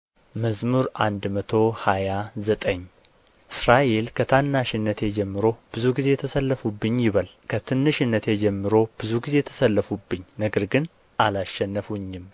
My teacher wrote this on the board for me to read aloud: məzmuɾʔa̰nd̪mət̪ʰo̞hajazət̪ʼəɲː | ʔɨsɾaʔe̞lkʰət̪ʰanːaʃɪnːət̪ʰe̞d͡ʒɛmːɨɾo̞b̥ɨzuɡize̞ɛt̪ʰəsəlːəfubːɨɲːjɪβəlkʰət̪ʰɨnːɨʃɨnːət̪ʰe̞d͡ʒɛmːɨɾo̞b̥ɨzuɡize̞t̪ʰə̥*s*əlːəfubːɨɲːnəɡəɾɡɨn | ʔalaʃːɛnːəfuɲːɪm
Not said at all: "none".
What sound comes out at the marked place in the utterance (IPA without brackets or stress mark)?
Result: s